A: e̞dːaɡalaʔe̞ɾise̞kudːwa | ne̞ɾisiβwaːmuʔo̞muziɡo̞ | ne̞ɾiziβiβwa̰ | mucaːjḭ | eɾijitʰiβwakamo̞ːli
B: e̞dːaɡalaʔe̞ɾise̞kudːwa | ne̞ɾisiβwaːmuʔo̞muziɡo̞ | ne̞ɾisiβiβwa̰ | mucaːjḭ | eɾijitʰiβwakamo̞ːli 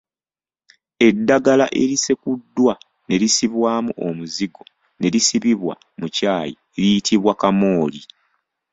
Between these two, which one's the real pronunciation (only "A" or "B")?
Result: B